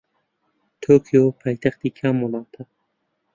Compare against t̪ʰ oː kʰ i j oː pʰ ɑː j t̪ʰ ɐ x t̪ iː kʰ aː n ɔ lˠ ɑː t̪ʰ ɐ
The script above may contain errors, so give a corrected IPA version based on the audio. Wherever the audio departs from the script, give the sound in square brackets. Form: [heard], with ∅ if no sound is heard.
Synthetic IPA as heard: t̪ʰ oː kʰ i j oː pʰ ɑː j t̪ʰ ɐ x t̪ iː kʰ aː [m] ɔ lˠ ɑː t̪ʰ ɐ